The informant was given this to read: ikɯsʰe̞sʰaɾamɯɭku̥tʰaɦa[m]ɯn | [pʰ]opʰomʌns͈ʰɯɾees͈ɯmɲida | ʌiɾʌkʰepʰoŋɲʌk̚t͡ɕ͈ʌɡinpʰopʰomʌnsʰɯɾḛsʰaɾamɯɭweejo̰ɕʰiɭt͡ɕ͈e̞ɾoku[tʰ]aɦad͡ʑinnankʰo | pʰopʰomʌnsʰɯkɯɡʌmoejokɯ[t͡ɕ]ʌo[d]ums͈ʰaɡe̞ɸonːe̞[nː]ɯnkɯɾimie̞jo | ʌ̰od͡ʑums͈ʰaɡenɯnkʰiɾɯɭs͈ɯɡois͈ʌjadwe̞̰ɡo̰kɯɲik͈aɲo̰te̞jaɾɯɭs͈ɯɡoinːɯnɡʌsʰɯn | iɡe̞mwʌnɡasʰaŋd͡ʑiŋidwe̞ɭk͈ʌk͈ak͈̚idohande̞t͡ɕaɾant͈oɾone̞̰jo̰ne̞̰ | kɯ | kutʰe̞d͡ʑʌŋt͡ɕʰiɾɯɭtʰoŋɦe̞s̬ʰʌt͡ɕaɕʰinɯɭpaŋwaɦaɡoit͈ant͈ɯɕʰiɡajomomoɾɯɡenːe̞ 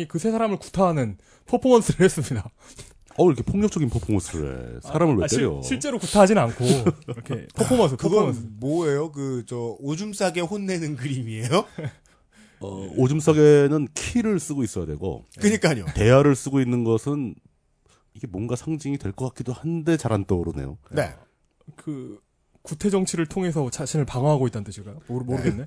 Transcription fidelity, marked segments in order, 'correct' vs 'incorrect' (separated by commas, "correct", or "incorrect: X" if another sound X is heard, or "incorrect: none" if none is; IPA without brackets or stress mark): incorrect: n, correct, correct, correct, incorrect: d͡ʑ, incorrect: n